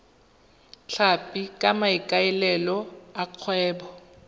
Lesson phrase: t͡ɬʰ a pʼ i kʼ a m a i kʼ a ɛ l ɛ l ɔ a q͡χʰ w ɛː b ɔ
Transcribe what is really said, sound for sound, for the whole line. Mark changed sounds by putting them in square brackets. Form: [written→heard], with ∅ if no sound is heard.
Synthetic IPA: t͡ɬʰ a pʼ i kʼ a m a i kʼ a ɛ l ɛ l ɔ a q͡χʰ w ɛː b ɔ